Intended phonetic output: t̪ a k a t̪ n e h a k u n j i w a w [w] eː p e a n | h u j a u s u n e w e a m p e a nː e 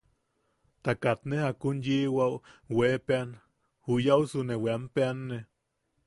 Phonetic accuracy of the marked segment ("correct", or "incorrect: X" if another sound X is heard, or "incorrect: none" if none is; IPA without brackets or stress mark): correct